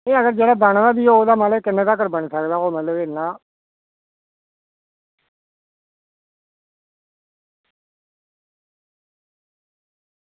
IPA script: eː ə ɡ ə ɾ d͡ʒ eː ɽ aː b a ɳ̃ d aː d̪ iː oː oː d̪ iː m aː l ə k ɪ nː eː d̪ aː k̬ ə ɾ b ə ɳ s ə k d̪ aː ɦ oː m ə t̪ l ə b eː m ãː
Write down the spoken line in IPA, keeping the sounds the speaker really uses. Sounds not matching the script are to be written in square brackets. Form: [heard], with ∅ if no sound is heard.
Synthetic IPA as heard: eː ə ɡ ə ɾ d͡ʒ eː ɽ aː b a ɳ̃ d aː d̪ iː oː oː d̪ [aː] m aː l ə k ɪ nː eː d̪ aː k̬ ə ɾ b ə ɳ s ə k d̪ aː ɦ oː m ə t̪ l ə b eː [n] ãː